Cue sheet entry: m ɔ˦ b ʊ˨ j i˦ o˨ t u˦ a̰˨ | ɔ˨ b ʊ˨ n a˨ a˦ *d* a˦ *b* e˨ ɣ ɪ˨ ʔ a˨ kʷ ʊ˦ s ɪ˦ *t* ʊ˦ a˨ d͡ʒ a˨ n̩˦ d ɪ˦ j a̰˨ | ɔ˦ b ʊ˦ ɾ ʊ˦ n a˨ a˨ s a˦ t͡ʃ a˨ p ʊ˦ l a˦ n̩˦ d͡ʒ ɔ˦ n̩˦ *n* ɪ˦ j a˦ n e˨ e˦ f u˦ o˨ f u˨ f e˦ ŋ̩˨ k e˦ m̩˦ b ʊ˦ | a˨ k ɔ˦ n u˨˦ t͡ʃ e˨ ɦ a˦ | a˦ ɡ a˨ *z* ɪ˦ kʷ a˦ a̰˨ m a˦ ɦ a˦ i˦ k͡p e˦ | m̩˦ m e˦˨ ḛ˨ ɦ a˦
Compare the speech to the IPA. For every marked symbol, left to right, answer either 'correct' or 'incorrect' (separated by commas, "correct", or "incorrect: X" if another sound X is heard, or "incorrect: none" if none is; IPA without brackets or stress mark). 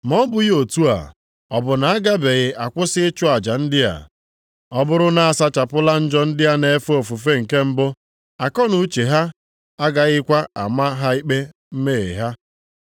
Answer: incorrect: ɡ, correct, incorrect: t͡ʃ, incorrect: d, incorrect: ɣ